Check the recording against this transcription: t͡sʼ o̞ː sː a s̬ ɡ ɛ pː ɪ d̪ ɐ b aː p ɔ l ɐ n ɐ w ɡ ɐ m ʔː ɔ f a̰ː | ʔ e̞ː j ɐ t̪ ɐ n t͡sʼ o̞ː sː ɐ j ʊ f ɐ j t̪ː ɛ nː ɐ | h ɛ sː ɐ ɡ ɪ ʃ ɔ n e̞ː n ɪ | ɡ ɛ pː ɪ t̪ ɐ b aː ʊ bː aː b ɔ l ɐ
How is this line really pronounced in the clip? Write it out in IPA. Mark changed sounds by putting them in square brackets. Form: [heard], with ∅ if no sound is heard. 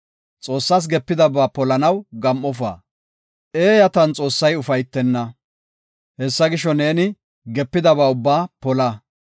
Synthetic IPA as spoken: t͡sʼ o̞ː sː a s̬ ɡ ɛ pː ɪ d̪ ɐ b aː p ɔ l ɐ n ɐ w ɡ ɐ m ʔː ɔ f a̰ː | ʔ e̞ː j ɐ t̪ ɐ n t͡sʼ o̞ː sː ɐ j ʊ f ɐ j t̪ː ɛ nː ɐ | h ɛ sː ɐ ɡ ɪ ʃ ɔ n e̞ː n ɪ | ɡ ɛ pː ɪ [d̪] ɐ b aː ʊ bː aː [p] ɔ l ɐ